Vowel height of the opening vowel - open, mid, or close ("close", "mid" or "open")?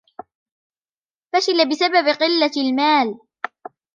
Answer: open